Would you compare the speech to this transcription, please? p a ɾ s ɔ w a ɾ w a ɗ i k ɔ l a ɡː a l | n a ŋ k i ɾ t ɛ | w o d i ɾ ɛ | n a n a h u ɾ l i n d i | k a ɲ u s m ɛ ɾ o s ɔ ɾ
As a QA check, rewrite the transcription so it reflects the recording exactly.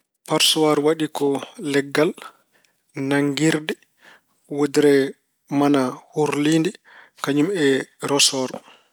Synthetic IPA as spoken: p a ɾ s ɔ w a ɾ w a ɗ i k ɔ l ɛ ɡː a l | n a ŋ ɡ i ɾ d ɛ | w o d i ɾ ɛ | m a n a h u ɾ l i n d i | k a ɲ u m ɛ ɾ ɔ s ɔ ɾ